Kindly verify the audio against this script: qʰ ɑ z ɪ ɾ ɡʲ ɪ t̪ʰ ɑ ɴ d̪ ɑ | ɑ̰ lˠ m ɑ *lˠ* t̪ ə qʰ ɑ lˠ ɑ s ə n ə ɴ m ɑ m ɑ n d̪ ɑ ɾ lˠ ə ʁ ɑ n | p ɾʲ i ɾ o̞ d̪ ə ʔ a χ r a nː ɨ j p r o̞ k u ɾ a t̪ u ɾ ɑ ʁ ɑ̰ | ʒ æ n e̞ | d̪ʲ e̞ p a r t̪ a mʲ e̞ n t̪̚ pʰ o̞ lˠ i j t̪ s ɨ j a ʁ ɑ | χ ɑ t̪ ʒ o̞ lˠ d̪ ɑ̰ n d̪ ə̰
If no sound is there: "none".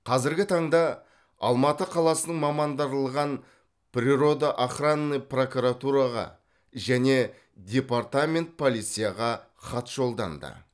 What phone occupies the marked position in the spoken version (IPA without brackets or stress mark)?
none